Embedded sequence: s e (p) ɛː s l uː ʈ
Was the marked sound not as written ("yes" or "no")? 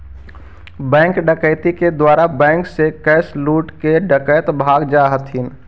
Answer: yes